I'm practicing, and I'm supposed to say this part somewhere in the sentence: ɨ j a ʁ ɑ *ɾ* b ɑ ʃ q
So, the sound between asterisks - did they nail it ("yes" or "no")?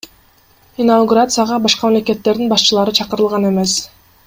no